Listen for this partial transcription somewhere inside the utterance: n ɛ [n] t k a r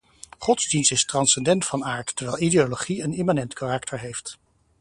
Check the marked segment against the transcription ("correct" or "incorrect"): correct